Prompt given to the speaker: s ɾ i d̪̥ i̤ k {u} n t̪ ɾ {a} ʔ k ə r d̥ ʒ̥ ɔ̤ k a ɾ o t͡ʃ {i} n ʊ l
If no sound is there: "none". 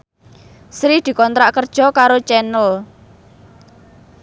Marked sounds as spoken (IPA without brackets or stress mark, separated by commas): ɔ, a, ɛ